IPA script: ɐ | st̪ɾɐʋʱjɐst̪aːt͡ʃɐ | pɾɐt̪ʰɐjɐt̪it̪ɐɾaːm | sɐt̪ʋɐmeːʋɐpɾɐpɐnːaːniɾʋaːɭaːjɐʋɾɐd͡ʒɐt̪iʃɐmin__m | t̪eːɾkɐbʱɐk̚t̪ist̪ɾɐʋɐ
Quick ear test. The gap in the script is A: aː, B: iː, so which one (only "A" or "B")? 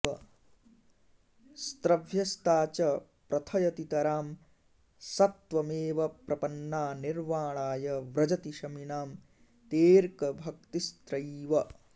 A